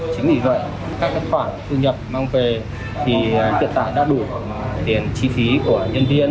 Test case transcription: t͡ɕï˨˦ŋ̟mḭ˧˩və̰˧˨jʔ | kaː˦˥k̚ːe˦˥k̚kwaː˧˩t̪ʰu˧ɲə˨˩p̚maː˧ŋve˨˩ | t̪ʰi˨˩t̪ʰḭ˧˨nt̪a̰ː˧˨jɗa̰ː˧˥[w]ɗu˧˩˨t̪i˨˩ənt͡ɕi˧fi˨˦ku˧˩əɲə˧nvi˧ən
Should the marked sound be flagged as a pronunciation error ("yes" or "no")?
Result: yes